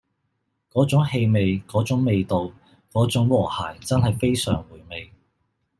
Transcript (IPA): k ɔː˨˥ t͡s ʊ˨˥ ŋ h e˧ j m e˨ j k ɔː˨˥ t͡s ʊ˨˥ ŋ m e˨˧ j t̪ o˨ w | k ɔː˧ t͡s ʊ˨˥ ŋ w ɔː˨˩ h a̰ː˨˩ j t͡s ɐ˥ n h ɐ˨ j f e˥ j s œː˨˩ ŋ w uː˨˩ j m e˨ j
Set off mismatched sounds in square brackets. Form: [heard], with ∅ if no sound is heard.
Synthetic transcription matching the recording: k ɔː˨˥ t͡s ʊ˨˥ ŋ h e˧ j m e˨ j k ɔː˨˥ t͡s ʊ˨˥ ŋ m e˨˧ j t̪ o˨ w | k [ɔː˨˥] t͡s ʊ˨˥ ŋ w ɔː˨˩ h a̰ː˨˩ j t͡s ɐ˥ n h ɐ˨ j f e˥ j s œː˨˩ ŋ w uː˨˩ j m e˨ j